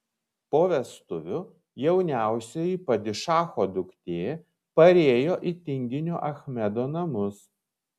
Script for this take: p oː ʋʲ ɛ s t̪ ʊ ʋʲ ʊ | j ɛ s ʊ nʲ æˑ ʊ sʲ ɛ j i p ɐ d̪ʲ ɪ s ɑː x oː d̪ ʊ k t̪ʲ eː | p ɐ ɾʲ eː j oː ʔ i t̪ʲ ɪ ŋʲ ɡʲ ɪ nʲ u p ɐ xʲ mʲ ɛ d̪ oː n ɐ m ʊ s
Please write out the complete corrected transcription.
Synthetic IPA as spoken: p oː ʋʲ ɛ s t̪ ʊ ʋʲ ʊ | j ɛ ʊ nʲ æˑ ʊ sʲ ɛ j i p ɐ d̪ʲ ɪ ʃ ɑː x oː d̪ ʊ k t̪ʲ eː | p ɐ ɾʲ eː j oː ʔ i t̪ʲ ɪ ŋʲ ɡʲ ɪ nʲ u ʔ ɐ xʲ mʲ ɛ d̪ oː n ɐ m ʊ s